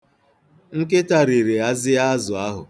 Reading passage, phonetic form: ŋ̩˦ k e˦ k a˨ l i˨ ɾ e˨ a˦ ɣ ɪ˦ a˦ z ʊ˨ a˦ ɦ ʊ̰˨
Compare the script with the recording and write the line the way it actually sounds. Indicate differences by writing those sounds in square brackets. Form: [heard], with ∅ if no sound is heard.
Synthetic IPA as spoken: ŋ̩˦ k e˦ [t] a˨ [ɾ] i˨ ɾ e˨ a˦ [z] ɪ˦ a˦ z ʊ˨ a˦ ɦ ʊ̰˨